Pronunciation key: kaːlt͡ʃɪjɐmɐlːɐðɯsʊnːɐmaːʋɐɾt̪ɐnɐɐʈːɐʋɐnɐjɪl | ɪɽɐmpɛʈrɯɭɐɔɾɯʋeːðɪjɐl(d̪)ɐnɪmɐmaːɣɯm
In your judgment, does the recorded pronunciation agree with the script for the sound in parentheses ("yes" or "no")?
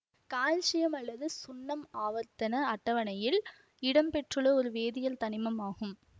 no